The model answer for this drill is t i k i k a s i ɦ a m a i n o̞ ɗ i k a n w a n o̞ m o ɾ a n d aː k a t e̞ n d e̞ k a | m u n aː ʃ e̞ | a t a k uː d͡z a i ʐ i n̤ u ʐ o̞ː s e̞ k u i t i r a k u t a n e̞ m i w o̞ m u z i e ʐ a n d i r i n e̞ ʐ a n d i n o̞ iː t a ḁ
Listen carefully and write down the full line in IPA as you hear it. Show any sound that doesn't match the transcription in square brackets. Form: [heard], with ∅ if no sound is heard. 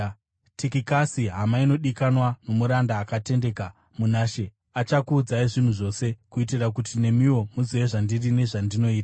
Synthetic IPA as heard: t i k i k a s i ɦ a m a i n o̞ ɗ i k a n w a n o̞ m [u] ɾ a n d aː k a t e̞ n d e̞ k a | m u n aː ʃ e̞ | a [t͡ʃ] a k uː d͡z a i ʐ i n̤ u ʐ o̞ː s e̞ k u i t i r a k u t [i] n e̞ m i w o̞ m u z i e ʐ a n d i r i n e̞ ʐ a n d i n o̞ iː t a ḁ